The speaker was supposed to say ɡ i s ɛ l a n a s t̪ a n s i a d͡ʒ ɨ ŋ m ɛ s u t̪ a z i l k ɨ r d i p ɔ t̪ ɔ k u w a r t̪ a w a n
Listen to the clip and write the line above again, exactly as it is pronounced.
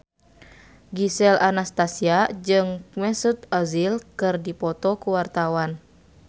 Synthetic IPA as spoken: ɡ i s ɛ l a n a s t̪ a s i a d͡ʒ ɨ ŋ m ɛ s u t̪ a z i l k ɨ r d i p ɔ t̪ ɔ k u w a r t̪ a w a n

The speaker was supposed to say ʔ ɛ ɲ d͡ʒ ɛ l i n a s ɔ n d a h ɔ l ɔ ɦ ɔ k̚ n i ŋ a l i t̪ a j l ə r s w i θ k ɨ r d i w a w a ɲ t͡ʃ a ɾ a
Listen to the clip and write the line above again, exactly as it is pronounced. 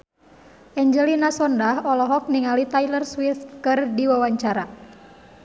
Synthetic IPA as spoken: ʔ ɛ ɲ d͡ʒ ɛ l i n a s ɔ n d a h ɔ l ɔ ɦ ɔ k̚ n i ŋ a l i t̪ a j l ə r s w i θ k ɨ r d i w a w a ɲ t͡ʃ a ɾ a

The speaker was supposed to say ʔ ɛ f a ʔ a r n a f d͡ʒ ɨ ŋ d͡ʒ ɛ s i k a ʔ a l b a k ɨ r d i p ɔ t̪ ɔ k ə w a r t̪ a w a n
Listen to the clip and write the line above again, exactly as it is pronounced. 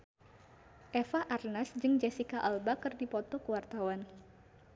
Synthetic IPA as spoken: ʔ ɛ f a ʔ a r n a s d͡ʒ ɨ ŋ d͡ʒ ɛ s i k a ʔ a l b a k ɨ r d i p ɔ t̪ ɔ k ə w a r t̪ a w a n

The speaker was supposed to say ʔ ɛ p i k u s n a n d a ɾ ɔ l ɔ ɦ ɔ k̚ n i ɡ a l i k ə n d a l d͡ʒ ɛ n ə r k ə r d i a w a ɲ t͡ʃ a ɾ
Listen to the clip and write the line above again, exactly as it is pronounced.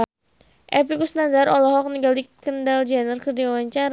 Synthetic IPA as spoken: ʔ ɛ p i k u s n a n d a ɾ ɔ l ɔ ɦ ɔ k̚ n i ɡ a l i k ə n d a l d͡ʒ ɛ n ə r k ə r d i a w a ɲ t͡ʃ a ɾ

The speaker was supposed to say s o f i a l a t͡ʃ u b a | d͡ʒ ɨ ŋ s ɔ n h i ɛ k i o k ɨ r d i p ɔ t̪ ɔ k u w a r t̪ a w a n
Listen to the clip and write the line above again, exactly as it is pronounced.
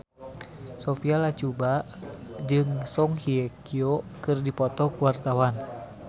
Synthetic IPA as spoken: s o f i a l a t͡ʃ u b a | d͡ʒ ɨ ŋ s ɔ ŋ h i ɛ k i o k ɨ r d i p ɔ t̪ ɔ k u w a r t̪ a w a n

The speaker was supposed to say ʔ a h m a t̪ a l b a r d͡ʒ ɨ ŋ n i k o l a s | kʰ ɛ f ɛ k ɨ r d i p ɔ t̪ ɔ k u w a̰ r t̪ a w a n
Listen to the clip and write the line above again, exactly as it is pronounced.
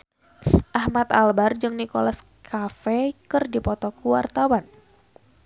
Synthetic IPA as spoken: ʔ a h m a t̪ a l b a r d͡ʒ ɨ ŋ n i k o l a s | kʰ a f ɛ k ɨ r d i p ɔ t̪ ɔ k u w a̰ r t̪ a w a n

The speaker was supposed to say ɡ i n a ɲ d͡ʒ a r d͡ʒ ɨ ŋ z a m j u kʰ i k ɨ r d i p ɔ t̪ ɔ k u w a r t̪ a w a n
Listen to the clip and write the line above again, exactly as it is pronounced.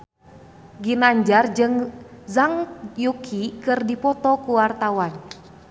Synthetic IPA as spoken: ɡ i n a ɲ d͡ʒ a r d͡ʒ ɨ ŋ z a ŋ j u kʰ i k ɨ r d i p ɔ t̪ ɔ k u w a r t̪ a w a n

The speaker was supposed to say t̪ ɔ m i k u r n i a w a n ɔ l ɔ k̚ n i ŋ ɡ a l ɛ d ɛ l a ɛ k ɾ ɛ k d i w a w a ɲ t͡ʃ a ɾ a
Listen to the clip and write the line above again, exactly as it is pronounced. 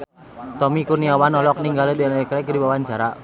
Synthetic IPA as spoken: t̪ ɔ m i k u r n i a w a n ɔ l ɔ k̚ n i ŋ ɡ a l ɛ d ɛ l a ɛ k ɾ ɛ k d i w a w a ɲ t͡ʃ a ɾ a

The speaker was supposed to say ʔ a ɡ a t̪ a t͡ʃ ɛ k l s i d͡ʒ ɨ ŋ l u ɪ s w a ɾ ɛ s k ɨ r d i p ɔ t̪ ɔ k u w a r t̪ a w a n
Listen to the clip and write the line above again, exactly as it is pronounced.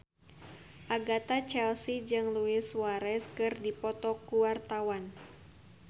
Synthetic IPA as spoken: ʔ a ɡ a t̪ a t͡ʃ ɛ l s i d͡ʒ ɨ ŋ l u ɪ s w a ɾ ɛ s k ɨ r d i p ɔ t̪ ɔ k u w a r t̪ a w a n

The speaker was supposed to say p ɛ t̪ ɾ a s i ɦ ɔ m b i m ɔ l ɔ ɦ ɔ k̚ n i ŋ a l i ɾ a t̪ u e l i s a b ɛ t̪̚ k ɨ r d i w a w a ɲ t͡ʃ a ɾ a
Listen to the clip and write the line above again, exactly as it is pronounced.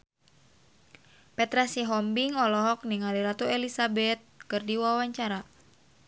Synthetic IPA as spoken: p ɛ t̪ ɾ a s i ɦ ɔ m b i ŋ ɔ l ɔ ɦ ɔ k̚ n i ŋ a l i ɾ a t̪ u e l i s a b ɛ t̪̚ k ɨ r d i w a w a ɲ t͡ʃ a ɾ a

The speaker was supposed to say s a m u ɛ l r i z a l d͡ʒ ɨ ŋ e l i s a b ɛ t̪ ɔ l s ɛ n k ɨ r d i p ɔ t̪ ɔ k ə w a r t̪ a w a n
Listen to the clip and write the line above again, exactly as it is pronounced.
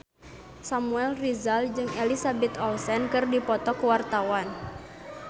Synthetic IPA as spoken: s a m u ɛ l r i z a l d͡ʒ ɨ ŋ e l i s a b ɛ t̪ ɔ l s ɛ n k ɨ r d i p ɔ t̪ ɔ k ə w a r t̪ a w a n

